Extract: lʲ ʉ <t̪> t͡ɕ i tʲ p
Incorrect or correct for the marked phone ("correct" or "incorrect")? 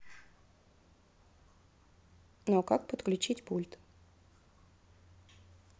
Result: incorrect